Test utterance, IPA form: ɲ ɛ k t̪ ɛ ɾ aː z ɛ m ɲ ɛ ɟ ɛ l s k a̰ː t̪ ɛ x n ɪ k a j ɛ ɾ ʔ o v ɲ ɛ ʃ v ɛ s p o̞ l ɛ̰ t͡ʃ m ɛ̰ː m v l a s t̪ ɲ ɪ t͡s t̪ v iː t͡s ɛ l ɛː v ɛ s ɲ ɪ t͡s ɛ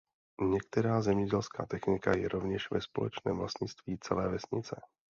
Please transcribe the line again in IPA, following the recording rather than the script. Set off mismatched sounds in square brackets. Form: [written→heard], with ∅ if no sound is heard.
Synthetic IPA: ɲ ɛ k t̪ ɛ ɾ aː z ɛ m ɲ ɛ ɟ ɛ l s k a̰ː t̪ ɛ x n ɪ k a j ɛ ɾ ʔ o v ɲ ɛ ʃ v ɛ s p o̞ l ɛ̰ t͡ʃ [m→n] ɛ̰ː m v l a s t̪ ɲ ɪ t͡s t̪ v iː t͡s ɛ l ɛː v ɛ s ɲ ɪ t͡s ɛ